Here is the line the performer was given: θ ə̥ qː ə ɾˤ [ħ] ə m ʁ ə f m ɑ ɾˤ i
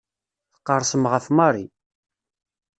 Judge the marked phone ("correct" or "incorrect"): incorrect